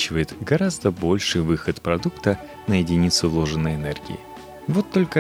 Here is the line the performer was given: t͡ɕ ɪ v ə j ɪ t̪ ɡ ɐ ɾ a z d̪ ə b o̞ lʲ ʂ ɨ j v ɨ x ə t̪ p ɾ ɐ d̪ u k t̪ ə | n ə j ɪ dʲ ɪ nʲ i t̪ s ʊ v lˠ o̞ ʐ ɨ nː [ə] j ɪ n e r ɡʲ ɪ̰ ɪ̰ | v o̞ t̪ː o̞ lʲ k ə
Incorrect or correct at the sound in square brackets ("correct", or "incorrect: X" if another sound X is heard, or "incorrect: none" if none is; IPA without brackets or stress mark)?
correct